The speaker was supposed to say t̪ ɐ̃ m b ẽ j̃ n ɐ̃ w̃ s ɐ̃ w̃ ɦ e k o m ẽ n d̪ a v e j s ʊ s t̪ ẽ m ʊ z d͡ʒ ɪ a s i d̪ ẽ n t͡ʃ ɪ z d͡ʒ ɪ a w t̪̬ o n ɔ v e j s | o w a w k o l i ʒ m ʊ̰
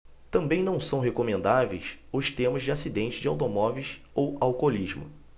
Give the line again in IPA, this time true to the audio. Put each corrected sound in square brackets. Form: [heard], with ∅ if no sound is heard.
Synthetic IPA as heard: t̪ ɐ̃ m b ẽ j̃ n ɐ̃ w̃ s ɐ̃ w̃ ɦ e k o m ẽ n d̪ a v e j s ʊ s t̪ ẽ m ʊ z d͡ʒ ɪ a s i d̪ ẽ n t͡ʃ ɪ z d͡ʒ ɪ a w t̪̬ o [m] ɔ v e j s | o w a w k o l i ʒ m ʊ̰